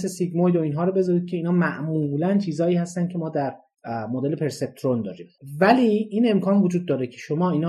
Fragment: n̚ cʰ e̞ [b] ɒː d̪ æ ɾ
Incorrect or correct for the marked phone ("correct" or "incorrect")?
incorrect